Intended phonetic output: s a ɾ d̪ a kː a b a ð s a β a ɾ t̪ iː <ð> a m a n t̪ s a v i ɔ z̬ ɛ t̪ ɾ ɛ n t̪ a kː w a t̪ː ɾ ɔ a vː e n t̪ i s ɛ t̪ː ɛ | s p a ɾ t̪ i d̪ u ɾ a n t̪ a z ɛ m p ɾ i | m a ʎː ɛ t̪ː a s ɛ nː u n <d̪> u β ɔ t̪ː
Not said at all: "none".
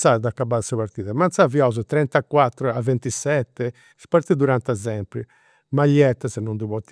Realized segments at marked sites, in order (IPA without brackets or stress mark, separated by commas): ð, d̪